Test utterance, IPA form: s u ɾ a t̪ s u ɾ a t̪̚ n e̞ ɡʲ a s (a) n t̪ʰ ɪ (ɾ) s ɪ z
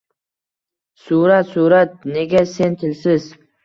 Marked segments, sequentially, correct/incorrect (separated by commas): incorrect, incorrect